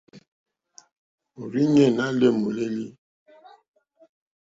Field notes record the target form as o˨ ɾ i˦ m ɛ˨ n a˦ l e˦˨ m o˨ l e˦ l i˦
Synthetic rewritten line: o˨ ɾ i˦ ɲ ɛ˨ n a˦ l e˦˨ m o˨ l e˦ l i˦